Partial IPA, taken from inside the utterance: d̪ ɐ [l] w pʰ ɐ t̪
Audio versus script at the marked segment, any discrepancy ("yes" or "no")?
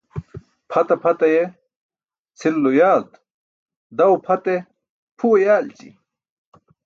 yes